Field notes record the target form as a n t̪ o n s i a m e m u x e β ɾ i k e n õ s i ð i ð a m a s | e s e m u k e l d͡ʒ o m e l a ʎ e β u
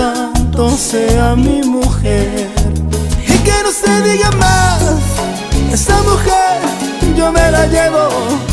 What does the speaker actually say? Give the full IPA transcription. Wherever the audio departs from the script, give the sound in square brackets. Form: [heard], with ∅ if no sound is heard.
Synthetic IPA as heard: a n t̪ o n s [e] a m [i] m u x e [∅] ɾ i k e n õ s [e] ð i [ɣ] a m a s | e s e m u [x] e [ɾ] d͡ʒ o m e l a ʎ e β [o]